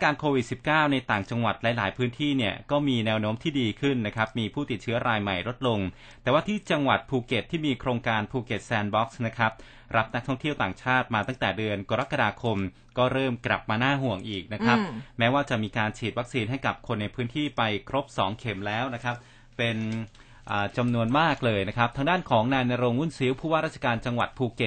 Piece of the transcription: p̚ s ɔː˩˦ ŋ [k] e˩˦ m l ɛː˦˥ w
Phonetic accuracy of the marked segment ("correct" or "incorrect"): incorrect